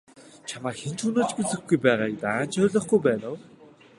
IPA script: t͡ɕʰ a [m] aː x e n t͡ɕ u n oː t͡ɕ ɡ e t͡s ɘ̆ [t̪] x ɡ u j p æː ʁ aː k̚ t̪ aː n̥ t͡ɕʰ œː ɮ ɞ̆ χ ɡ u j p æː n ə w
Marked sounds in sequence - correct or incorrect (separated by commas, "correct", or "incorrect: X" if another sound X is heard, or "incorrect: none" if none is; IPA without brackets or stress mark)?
correct, incorrect: none